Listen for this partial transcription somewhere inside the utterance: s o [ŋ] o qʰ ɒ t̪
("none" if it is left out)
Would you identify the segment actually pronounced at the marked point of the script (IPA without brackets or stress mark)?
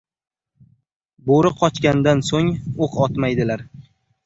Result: ŋ